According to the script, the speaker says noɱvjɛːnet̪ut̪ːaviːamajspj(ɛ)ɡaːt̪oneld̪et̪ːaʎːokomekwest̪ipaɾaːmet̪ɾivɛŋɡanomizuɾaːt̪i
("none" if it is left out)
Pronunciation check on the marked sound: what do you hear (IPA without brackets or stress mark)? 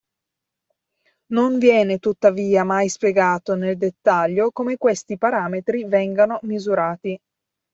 e